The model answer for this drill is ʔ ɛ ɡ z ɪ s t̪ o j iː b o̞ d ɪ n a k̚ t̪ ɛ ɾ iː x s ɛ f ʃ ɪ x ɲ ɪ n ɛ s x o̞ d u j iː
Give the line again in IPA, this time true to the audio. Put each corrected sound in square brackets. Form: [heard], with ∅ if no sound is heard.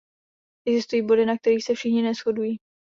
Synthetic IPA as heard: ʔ ɛ ɡ z ɪ s t̪ [u] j iː b o̞ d ɪ n a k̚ t̪ ɛ ɾ iː x s ɛ f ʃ ɪ x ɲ ɪ n ɛ s x o̞ d u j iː